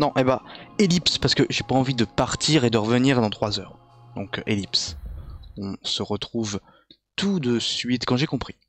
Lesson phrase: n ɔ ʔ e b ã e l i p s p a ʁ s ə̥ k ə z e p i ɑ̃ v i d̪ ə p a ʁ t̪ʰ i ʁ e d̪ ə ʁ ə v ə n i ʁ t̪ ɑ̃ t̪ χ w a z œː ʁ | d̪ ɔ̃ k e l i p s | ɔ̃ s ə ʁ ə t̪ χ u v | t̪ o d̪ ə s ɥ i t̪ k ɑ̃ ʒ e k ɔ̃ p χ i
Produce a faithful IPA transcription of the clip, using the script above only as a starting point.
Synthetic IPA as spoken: n ɔ̃ ʔ e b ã e l i p s p a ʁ s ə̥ k ə ʒ e p a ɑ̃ v i d̪ ə p a ʁ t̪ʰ i ʁ e d̪ ə ʁ ə v ə n i ʁ d̪ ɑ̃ t̪ χ w a z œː ʁ | d̪ ɔ̃ k e l i p s | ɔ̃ s ə ʁ ə t̪ χ u v | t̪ u d̪ ə s ɥ i t̪ k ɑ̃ ʒ e k ɔ̃ p χ i